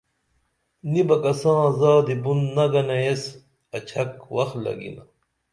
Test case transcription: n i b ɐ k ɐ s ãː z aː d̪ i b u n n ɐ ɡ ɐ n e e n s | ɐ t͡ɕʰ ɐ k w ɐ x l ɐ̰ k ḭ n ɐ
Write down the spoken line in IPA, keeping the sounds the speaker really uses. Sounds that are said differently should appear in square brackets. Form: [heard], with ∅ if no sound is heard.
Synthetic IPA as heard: n i b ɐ k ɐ s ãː z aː d̪ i b u n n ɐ ɡ ɐ n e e [∅] s | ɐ t͡ɕʰ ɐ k w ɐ x l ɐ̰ [ɡ] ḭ n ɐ